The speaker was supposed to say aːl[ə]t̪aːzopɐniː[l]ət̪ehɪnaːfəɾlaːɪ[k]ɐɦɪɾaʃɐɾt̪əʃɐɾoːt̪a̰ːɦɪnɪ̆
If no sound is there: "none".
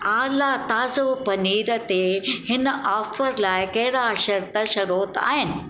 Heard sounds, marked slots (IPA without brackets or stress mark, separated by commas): a, ɾ, k